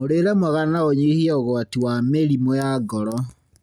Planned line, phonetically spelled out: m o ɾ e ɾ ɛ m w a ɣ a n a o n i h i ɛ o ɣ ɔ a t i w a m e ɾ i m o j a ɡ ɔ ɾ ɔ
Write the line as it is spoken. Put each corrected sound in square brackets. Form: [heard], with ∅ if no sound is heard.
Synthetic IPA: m o ɾ e ɾ ɛ m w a ɣ a n a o [ɲ] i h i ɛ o ɣ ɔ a t i w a m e ɾ i m o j a ɡ ɔ ɾ ɔ